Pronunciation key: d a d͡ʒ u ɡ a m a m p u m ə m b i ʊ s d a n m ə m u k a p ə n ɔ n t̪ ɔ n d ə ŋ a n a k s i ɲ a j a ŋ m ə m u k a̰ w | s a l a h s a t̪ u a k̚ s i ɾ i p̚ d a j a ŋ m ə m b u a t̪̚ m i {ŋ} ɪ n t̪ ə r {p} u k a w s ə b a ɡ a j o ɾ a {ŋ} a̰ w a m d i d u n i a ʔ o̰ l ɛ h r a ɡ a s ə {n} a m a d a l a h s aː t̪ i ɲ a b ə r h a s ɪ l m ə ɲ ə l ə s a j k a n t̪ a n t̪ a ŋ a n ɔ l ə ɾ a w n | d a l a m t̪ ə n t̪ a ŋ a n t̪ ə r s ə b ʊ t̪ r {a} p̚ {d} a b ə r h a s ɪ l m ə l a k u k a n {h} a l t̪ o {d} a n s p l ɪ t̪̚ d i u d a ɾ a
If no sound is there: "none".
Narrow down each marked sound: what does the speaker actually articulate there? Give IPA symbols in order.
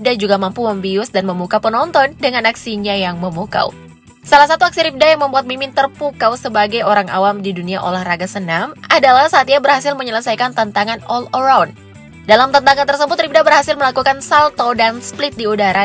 m, p, ŋ, n, i, d, s, d

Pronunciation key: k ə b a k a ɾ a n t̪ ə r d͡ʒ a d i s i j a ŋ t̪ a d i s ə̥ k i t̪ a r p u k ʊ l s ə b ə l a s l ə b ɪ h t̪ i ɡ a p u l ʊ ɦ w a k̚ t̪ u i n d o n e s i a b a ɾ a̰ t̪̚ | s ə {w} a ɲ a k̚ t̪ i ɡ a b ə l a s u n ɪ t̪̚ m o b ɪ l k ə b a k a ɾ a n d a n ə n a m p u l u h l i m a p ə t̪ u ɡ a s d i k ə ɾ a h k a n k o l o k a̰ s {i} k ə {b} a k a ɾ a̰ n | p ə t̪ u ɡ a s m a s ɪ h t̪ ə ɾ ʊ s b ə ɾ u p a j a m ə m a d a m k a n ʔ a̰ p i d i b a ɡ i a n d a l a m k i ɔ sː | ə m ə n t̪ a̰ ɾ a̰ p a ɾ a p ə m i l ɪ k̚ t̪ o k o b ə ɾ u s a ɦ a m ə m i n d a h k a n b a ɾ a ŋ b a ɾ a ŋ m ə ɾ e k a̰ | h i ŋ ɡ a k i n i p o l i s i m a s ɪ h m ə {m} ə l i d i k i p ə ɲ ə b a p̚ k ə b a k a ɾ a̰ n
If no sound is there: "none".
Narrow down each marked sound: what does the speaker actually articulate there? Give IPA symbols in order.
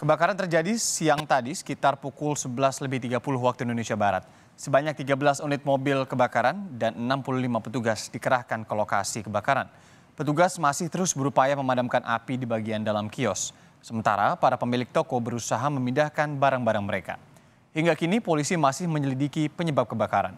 b, i, b, ɲ

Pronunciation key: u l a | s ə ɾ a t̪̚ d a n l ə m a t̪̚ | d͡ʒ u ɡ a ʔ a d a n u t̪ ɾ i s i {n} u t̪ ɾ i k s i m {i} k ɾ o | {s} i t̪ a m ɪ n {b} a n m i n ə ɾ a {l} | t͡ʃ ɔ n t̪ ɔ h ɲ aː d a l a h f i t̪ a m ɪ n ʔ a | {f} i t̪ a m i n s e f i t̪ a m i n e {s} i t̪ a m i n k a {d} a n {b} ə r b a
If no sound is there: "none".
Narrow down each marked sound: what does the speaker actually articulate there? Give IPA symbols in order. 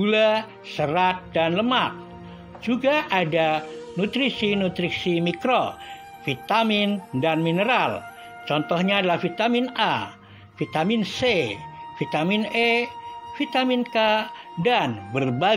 n, i, f, d, l, f, f, d, b

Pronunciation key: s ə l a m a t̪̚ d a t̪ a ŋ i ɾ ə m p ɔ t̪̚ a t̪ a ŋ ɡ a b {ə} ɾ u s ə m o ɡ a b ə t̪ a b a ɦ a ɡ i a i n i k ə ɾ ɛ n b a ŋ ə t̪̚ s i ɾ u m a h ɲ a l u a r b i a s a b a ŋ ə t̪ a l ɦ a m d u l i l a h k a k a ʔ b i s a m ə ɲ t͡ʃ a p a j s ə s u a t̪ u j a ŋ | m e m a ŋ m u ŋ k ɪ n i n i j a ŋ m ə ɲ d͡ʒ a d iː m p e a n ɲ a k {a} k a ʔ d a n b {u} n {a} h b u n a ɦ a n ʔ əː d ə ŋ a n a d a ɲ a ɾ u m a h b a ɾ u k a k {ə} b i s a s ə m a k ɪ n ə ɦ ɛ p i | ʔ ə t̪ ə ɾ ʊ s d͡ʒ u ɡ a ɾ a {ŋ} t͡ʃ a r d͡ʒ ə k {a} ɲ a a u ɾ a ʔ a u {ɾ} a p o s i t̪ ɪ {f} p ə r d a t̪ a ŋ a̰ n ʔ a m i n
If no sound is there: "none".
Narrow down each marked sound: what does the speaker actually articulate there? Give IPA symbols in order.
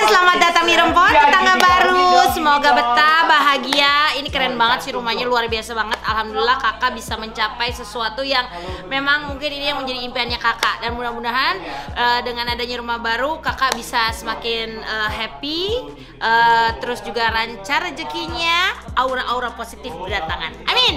a, a, u, a, a, ɲ, i, ɾ, f

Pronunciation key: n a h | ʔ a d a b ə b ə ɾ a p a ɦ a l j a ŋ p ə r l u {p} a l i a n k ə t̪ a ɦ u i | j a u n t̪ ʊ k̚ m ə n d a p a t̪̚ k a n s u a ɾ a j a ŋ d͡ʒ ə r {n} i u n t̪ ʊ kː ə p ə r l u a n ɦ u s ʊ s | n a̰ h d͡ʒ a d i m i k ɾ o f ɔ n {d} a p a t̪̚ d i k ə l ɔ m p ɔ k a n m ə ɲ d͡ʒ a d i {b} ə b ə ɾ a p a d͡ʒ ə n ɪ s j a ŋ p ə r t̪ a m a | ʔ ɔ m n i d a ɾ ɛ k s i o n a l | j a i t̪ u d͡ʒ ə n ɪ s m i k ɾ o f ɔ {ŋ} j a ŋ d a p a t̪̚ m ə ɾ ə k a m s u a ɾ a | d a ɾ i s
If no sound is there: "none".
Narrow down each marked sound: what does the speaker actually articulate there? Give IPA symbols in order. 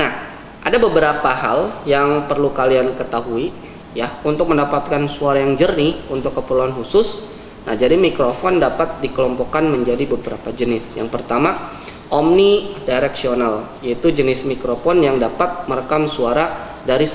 k, n, d, b, n

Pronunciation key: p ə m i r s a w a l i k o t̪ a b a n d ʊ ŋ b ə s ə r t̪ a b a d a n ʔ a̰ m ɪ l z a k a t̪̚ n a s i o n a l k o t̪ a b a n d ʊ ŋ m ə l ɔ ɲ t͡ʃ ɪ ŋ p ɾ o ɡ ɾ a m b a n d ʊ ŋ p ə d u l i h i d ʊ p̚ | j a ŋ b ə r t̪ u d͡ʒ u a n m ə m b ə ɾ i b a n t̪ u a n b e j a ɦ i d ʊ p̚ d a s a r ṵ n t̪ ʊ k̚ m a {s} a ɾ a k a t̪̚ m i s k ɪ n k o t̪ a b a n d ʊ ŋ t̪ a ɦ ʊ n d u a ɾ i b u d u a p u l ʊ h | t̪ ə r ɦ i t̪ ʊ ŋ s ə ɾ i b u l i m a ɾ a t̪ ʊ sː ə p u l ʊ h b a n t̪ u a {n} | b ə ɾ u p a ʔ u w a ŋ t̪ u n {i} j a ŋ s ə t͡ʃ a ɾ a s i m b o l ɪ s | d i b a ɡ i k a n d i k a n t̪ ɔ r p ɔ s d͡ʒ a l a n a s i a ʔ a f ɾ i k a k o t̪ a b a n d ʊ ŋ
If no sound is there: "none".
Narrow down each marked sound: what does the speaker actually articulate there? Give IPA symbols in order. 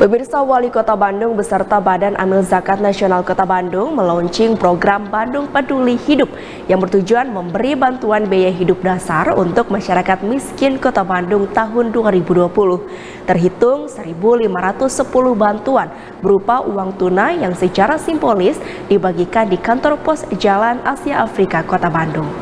ʃ, n, a

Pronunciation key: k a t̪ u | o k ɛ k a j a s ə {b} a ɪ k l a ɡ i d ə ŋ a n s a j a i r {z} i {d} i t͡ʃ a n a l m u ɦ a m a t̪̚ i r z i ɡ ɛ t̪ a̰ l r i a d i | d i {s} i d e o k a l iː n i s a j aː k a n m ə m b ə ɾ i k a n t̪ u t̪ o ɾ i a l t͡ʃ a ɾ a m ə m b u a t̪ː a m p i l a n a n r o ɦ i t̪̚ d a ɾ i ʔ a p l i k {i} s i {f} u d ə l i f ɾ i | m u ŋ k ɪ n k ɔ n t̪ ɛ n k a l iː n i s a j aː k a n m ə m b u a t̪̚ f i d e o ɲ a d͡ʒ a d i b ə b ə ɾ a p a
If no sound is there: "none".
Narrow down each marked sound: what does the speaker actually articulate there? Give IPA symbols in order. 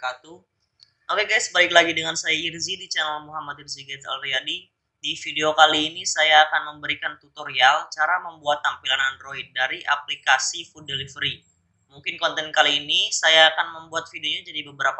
b, z, d, f, a, f

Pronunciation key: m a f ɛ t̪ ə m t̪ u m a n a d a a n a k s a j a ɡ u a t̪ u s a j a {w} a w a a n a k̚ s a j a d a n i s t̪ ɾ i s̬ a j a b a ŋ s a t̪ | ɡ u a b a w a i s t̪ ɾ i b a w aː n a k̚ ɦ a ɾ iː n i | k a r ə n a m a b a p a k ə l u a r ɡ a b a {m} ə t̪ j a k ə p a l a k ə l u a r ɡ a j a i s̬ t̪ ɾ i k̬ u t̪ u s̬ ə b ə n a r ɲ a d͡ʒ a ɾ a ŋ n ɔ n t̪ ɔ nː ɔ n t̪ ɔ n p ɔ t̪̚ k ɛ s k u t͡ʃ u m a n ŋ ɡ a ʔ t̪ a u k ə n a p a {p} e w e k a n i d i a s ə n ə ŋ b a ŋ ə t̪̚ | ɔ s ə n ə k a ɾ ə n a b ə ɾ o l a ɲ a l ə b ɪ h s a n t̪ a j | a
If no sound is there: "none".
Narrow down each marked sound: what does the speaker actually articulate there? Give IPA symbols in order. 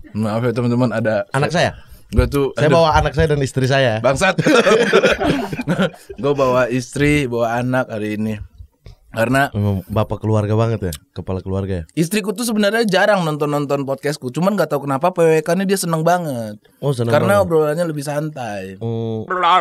b, ŋ, p

